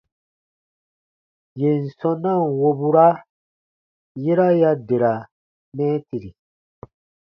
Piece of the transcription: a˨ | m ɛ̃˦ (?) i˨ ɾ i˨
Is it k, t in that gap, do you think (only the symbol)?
t